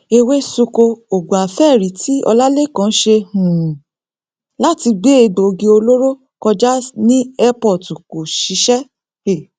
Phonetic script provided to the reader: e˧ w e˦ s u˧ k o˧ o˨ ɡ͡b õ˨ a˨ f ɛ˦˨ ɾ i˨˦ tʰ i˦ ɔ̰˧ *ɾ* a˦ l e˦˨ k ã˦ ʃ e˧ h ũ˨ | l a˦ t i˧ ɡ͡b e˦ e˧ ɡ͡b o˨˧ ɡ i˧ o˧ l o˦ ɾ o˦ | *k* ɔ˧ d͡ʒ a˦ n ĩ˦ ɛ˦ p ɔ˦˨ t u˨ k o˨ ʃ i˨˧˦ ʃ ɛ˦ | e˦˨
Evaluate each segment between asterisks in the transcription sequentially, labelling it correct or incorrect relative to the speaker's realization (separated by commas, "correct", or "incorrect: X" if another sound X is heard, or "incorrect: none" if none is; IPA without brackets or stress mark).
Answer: incorrect: l, correct